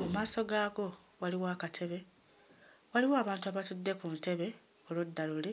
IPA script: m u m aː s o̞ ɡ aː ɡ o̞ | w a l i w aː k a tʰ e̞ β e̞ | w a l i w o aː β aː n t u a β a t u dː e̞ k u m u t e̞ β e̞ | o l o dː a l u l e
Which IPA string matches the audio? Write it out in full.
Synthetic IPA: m u m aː s o̞ ɡ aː ɡ o̞ | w a l i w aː k a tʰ e̞ β e̞ | w a l i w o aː β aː n t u a β a t u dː e̞ k u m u t e̞ β e̞ | o l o dː a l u l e